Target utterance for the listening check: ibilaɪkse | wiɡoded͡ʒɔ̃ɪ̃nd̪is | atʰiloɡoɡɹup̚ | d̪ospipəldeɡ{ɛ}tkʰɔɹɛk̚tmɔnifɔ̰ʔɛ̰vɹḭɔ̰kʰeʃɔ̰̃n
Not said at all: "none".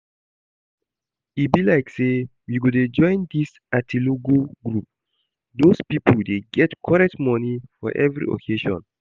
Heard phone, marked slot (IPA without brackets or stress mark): ɛ